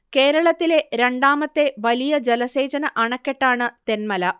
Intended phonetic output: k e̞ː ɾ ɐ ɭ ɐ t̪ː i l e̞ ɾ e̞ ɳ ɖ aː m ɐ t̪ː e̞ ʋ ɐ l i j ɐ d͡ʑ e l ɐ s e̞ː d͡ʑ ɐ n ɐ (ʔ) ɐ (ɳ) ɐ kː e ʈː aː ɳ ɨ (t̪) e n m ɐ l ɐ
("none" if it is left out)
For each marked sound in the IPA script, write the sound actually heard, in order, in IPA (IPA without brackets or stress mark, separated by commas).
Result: ʔ, ɳ, t̪